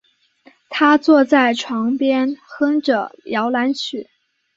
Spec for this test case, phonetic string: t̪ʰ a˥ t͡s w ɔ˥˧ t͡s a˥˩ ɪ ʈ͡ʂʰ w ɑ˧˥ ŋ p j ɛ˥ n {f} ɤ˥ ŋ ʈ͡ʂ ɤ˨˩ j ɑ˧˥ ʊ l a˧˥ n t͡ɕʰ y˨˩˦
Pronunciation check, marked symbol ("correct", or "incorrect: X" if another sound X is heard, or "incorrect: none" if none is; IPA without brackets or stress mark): incorrect: x